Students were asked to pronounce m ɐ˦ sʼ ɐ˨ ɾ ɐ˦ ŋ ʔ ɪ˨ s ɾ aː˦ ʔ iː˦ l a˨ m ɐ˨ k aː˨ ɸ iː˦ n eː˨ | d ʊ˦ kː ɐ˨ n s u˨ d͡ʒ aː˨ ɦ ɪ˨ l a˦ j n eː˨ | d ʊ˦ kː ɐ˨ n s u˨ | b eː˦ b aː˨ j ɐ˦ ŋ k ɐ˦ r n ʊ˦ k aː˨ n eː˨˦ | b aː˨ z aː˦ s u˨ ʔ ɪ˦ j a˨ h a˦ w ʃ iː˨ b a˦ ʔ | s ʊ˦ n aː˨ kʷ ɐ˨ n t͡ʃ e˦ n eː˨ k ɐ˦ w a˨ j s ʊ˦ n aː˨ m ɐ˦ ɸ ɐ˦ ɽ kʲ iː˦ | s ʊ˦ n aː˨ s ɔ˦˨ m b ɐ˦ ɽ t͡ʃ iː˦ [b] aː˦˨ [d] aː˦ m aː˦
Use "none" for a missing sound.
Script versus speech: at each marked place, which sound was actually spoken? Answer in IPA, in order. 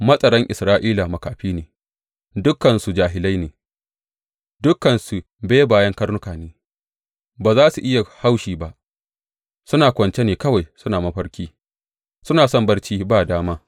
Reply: b, d

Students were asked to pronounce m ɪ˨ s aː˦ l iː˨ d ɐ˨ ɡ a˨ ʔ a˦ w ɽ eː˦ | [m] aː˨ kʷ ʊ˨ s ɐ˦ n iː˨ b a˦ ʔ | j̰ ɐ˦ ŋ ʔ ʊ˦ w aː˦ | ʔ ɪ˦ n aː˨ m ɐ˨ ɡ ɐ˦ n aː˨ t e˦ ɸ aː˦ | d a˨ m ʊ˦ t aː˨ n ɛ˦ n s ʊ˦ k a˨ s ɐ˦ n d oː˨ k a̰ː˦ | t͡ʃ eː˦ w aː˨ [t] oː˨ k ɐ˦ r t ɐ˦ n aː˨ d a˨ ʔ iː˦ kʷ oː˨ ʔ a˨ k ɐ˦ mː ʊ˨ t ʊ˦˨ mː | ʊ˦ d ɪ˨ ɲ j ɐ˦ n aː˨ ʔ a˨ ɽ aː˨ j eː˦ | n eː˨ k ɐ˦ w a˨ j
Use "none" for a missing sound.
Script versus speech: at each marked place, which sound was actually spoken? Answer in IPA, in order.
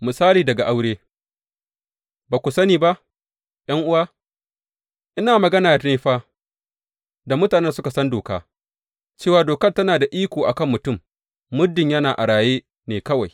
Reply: b, d

